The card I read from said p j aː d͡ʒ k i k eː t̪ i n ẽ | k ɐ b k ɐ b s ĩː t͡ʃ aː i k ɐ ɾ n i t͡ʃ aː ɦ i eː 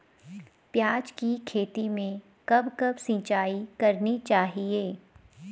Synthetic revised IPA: p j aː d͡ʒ k i kʰ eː t̪ i m ẽ | k ɐ b k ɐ b s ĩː t͡ʃ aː i k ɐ ɾ n i t͡ʃ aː ɦ i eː